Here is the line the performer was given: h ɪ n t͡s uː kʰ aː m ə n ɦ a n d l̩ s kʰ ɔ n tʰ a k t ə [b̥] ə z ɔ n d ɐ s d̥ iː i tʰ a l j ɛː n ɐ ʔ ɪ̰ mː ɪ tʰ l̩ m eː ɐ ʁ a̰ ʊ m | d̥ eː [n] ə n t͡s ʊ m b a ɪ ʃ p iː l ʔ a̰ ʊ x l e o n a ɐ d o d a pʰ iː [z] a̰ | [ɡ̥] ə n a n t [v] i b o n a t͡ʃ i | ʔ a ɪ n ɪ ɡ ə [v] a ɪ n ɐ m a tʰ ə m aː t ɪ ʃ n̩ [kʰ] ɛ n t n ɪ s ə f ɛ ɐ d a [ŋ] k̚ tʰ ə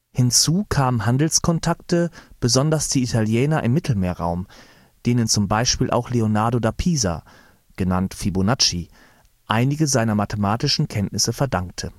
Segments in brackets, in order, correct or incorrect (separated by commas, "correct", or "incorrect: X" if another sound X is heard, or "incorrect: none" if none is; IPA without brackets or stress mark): correct, correct, correct, correct, incorrect: f, incorrect: z, correct, correct